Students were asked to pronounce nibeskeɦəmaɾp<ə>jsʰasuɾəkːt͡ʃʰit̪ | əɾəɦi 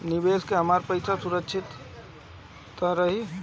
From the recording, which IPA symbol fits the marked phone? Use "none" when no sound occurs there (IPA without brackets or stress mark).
ə